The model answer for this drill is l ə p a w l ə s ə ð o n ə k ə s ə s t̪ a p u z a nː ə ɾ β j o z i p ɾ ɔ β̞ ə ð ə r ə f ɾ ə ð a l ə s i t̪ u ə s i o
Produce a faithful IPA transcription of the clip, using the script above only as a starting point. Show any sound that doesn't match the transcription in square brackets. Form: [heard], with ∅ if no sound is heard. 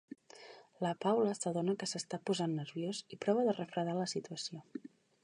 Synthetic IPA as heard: l ə p a w l ə s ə ð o n ə k ə s ə s t̪ a p u z a nː ə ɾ β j o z i p ɾ ɔ β̞ ə ð ə r ə f ɾ ə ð a l ə s i t̪ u ə s i o